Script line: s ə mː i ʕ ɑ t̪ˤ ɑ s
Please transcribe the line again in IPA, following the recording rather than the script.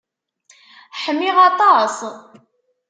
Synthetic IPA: ħ ə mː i ʁ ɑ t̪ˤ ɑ s